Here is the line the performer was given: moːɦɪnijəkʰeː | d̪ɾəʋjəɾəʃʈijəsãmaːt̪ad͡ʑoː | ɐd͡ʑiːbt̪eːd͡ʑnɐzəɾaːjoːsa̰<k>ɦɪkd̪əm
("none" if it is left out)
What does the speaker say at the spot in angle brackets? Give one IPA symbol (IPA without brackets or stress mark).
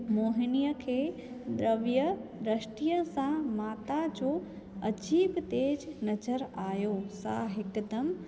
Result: none